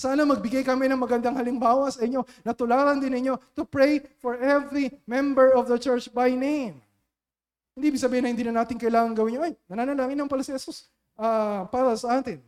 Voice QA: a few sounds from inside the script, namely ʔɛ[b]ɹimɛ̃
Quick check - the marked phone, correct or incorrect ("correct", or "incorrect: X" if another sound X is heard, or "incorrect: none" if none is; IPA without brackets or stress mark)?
incorrect: v